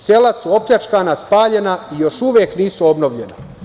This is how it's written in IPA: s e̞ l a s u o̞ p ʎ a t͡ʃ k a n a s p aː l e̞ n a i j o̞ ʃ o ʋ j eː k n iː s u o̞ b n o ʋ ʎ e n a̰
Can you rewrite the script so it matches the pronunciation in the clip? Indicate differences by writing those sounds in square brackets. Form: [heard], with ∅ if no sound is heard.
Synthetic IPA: s e̞ l a s u o̞ p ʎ a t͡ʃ k a n a s p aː [ʎ] e̞ n a i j o̞ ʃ [u] ʋ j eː k n iː s u o̞ b n o ʋ ʎ e n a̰